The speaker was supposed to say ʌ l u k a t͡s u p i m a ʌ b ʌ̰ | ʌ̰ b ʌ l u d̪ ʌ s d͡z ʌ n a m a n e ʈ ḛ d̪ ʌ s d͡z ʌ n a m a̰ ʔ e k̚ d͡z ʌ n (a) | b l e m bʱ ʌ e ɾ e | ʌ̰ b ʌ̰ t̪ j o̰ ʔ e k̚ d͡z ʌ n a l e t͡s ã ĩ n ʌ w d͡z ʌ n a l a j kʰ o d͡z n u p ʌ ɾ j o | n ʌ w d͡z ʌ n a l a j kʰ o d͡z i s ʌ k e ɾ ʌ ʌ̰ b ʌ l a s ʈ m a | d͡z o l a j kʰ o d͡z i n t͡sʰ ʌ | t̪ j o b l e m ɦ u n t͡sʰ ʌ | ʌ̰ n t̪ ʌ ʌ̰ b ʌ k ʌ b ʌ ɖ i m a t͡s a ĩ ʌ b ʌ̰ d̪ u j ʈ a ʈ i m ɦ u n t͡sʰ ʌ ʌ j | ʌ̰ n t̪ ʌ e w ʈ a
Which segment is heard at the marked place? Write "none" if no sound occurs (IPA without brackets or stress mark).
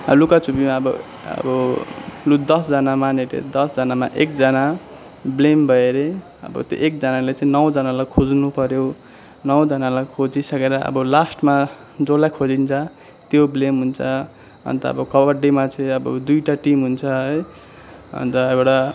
a